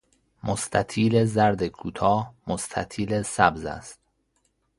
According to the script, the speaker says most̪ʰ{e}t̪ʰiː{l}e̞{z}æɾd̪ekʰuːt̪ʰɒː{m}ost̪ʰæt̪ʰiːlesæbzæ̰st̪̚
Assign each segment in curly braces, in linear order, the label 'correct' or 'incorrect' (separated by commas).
incorrect, correct, correct, correct